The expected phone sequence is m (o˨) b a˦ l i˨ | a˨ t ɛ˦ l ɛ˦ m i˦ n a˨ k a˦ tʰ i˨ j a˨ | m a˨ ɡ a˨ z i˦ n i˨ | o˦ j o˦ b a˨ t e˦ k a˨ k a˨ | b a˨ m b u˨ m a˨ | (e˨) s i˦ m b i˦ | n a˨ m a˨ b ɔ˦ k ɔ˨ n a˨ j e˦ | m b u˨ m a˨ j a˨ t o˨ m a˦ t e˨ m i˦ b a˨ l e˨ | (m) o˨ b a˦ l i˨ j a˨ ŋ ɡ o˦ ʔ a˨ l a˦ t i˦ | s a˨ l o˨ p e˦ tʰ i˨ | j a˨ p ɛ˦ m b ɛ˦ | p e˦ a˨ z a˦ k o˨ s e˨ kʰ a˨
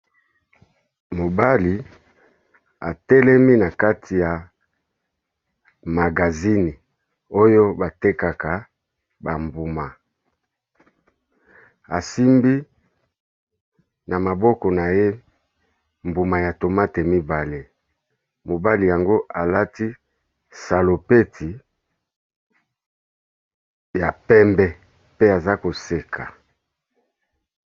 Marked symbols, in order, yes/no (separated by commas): yes, no, yes